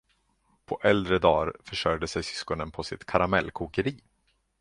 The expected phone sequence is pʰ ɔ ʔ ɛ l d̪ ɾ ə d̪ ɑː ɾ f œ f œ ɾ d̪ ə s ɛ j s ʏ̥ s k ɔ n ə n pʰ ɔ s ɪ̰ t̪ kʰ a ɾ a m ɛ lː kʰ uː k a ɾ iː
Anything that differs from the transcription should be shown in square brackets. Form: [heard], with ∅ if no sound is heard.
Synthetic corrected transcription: pʰ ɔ ʔ ɛ l d̪ ɾ ə d̪ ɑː ɾ f œ [ʂ] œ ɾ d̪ ə s ɛ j s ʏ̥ s k ɔ n ə n pʰ ɔ s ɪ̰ t̪ kʰ a ɾ a m ɛ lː kʰ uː k [ə] ɾ iː